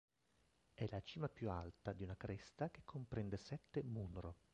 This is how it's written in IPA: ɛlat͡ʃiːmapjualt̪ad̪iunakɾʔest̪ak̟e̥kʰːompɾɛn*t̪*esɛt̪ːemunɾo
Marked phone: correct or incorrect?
incorrect: d̪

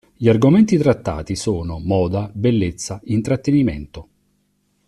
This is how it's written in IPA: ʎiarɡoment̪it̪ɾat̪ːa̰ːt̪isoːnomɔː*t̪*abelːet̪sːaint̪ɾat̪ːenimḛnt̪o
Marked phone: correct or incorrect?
incorrect: d̪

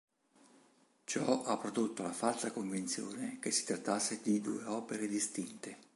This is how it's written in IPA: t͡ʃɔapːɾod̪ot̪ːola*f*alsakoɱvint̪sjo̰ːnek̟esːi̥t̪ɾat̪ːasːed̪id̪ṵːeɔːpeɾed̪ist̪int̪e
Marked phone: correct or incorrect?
correct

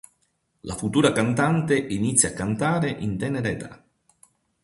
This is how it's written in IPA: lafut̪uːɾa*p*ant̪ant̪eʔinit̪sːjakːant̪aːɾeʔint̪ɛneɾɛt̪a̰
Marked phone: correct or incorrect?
incorrect: k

